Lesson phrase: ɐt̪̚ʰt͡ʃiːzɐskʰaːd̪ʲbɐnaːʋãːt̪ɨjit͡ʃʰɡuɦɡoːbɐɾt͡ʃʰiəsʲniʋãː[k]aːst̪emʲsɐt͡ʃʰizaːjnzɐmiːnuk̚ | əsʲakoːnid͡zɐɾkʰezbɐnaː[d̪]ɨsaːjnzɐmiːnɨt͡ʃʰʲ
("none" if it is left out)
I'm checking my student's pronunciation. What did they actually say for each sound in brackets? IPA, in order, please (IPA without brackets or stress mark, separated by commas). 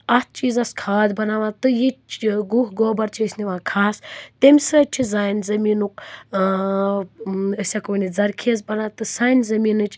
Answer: kʰ, t̪